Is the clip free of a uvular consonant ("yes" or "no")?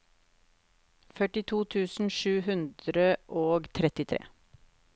yes